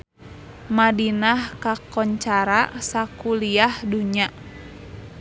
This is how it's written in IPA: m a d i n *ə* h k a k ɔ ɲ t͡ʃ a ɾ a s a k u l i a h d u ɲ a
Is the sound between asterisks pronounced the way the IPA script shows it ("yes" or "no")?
no